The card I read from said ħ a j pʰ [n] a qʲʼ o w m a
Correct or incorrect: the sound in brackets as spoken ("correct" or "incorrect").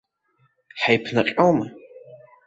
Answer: correct